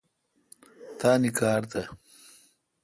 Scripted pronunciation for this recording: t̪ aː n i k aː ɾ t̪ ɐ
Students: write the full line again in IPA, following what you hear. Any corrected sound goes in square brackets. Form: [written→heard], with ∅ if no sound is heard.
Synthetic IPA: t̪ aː n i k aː ɾ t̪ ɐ